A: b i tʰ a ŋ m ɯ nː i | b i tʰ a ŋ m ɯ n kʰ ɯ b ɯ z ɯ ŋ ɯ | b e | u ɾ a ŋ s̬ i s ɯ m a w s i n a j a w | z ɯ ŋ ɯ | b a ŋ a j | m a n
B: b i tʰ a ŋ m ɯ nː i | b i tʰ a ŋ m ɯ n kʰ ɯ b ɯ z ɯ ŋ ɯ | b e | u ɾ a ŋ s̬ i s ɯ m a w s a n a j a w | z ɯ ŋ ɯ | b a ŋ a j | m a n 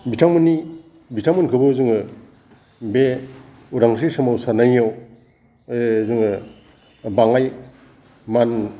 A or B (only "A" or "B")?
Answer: B